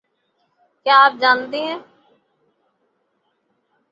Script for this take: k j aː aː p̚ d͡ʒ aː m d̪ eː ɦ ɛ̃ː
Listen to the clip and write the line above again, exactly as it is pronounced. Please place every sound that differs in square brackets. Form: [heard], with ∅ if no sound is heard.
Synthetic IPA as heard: k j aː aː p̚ d͡ʒ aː [n] d̪ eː ɦ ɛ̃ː